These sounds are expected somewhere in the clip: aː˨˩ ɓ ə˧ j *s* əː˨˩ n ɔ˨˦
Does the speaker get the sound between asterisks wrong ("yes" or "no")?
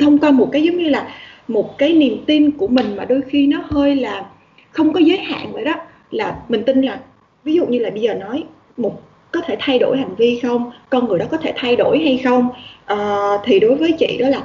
yes